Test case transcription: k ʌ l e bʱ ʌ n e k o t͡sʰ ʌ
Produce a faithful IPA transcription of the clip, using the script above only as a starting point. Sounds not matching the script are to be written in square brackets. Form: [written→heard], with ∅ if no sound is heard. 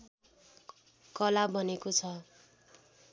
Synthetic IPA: k ʌ l [e→a] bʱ ʌ n e k o t͡sʰ ʌ